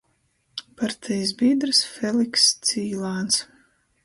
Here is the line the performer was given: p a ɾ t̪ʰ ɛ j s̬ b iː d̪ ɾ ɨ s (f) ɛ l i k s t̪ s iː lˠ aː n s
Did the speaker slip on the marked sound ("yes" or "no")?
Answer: no